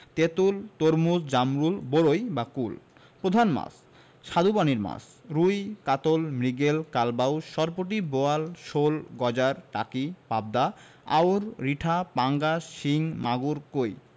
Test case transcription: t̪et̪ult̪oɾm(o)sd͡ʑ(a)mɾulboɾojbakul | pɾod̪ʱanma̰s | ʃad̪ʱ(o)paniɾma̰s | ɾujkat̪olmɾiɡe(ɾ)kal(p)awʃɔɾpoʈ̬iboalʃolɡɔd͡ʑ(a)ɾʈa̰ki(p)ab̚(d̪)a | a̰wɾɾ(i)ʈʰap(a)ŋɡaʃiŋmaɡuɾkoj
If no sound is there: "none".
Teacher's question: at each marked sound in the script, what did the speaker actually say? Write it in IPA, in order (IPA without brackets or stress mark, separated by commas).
u, a, u, l, b, a, p, d̪, i, a